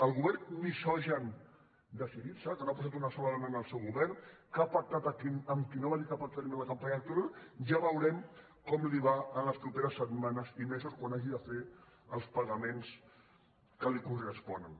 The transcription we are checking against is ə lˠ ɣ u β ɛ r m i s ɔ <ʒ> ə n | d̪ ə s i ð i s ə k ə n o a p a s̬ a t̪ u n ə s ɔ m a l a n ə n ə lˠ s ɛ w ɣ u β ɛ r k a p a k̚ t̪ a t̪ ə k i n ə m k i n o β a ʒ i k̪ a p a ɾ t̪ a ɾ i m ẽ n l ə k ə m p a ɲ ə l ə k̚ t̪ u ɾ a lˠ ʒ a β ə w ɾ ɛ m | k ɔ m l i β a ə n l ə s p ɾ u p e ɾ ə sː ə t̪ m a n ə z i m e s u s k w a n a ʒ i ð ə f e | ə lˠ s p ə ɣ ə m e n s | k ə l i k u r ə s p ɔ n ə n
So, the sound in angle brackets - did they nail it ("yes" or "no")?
yes